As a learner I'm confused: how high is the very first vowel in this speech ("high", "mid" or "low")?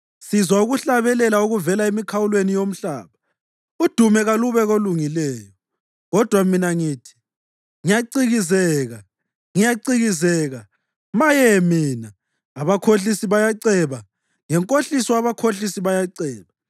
high